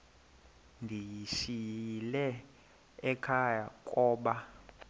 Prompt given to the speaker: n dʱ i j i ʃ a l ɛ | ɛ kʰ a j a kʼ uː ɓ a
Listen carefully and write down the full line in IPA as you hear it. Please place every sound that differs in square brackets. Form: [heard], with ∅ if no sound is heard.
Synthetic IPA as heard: n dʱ i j i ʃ [i] l ɛ | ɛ kʰ a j a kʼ [ɔː] ɓ a